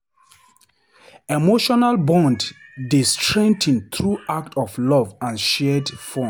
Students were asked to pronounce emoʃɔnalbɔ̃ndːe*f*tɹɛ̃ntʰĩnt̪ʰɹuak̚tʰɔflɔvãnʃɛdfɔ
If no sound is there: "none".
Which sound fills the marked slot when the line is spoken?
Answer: s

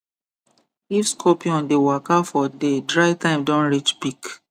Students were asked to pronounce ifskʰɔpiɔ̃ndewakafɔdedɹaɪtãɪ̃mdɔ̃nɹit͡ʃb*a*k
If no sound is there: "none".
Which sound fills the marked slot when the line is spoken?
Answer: i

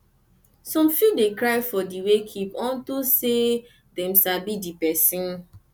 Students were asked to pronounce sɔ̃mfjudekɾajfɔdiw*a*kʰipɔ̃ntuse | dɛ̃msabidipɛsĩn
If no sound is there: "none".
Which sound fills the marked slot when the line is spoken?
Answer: e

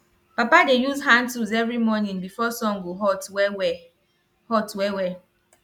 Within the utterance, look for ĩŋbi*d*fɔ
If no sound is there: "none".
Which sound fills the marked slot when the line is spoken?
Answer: none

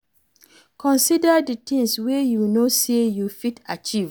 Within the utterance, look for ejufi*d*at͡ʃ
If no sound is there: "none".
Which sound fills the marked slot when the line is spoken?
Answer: t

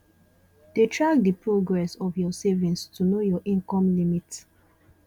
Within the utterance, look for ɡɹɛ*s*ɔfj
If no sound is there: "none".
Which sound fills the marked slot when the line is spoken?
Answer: s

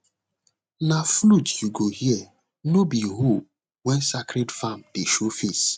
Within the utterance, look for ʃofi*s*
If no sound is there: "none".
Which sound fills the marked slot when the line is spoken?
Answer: s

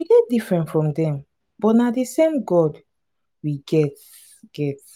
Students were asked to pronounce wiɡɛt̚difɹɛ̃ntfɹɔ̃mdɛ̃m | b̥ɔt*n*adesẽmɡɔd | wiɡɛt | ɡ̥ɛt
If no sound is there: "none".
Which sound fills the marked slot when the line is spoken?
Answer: n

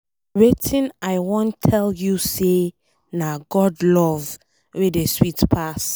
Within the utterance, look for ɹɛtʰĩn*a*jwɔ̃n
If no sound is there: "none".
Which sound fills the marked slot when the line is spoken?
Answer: a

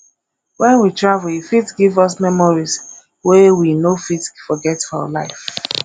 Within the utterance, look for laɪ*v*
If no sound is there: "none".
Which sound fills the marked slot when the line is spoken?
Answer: f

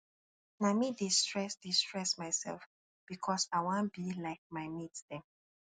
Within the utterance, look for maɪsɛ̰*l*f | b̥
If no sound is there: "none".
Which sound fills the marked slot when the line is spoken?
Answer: l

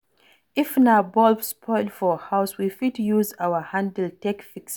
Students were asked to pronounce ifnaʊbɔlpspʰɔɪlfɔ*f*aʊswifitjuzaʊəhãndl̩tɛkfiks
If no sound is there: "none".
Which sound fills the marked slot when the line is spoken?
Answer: h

